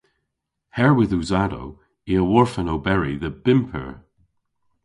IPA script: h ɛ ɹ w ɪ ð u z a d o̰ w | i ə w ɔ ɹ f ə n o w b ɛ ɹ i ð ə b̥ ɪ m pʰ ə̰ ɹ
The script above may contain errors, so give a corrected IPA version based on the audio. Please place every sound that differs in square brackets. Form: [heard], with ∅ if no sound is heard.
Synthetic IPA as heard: h ɛ ɹ w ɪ ð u z a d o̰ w | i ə w ɔ ɹ f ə n o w b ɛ ɹ i ð ə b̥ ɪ m pʰ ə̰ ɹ